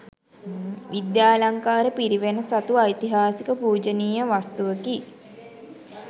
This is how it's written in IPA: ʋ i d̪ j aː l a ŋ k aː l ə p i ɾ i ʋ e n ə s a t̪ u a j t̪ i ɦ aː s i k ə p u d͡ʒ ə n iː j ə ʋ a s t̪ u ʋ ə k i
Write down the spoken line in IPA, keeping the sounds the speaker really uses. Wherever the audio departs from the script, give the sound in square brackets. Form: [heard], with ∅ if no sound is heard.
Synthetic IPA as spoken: ʋ i d̪ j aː l a ŋ k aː [ɾ] ə p i ɾ i ʋ e n ə s a t̪ u a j t̪ i ɦ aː s i k ə p [uː] d͡ʒ ə n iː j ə ʋ a s t̪ u ʋ ə k i